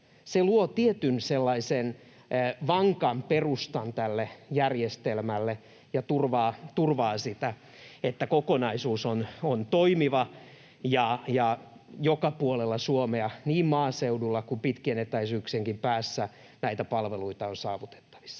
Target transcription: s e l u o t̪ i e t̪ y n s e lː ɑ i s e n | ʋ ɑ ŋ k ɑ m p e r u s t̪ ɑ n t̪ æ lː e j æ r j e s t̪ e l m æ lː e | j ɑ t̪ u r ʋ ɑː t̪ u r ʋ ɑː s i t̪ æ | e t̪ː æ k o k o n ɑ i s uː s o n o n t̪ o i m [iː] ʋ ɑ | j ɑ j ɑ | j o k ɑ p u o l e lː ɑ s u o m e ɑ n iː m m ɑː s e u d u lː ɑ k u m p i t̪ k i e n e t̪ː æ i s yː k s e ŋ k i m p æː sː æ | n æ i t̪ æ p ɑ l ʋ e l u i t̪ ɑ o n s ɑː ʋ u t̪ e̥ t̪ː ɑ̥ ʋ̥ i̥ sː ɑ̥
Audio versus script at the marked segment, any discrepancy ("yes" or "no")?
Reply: yes